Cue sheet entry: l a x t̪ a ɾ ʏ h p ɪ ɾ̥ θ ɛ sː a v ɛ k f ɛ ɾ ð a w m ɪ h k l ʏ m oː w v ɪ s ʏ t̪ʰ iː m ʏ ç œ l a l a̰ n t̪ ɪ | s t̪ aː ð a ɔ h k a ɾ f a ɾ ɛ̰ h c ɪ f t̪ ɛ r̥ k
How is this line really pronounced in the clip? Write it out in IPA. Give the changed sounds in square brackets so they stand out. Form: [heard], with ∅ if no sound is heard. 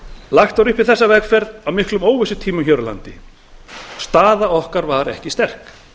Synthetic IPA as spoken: l a x t̪ a ɾ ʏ h p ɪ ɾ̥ θ ɛ sː a v ɛ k f ɛ ɾ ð a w m ɪ h k l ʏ m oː w v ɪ s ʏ t̪ʰ iː m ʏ ç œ [ɾ] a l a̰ n t̪ ɪ | s t̪ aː ð a ɔ h k a ɾ [v] a ɾ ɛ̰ h c ɪ [s] t̪ ɛ r̥ k